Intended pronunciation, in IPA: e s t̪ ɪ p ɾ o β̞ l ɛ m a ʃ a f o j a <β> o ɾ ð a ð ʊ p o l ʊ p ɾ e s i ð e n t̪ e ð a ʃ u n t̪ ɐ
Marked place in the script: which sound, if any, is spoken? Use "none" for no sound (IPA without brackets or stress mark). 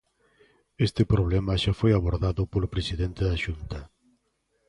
β